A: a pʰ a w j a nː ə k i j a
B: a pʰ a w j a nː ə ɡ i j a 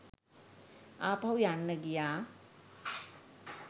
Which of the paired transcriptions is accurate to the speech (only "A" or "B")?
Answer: B